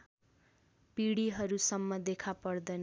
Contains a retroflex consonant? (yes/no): yes